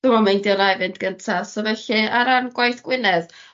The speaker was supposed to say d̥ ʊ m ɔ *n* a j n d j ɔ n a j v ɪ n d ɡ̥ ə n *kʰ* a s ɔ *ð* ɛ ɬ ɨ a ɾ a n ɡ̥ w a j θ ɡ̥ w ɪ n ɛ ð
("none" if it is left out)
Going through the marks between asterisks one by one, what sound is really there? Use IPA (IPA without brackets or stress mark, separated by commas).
m, tʰ, v